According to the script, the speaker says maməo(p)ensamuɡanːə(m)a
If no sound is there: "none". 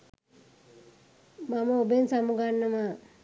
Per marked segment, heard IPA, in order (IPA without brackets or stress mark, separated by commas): b, m